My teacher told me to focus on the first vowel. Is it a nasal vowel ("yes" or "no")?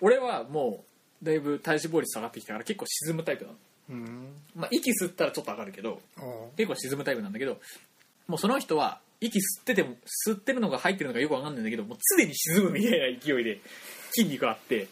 no